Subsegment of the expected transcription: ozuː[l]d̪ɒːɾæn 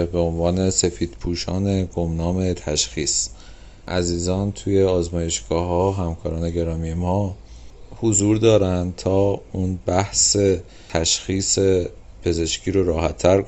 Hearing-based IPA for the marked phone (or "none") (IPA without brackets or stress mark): ɾ